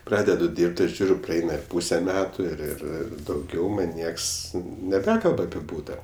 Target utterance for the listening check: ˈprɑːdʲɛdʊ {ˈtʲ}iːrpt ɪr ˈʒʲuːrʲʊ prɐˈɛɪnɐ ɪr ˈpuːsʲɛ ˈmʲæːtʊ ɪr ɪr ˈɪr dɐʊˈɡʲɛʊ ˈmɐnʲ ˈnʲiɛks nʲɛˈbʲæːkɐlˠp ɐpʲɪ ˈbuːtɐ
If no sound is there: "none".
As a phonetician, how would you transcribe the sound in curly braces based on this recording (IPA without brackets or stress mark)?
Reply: dʲ